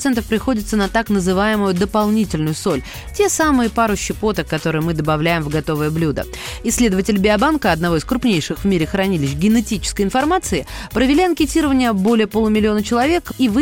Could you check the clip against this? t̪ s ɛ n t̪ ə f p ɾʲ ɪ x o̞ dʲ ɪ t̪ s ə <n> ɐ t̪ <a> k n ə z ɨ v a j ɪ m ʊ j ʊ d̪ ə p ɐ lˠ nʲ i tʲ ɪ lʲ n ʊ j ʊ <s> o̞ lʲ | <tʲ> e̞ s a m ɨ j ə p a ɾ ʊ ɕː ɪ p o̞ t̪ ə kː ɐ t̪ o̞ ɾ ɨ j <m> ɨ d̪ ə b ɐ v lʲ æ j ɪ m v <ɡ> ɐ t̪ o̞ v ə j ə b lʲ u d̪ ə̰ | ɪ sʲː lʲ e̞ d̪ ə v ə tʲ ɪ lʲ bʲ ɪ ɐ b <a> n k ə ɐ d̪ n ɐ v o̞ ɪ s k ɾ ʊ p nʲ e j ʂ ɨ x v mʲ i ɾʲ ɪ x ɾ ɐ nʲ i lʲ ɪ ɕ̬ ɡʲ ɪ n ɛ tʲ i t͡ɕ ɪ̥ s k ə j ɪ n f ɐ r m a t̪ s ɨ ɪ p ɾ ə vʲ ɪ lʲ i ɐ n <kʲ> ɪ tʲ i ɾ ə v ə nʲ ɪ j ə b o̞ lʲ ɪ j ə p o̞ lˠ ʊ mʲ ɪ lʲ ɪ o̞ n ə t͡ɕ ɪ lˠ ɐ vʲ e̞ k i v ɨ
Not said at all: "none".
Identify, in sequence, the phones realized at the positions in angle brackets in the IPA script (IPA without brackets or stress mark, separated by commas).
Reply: n, a, s, tʲ, m, ɡ, a, kʲ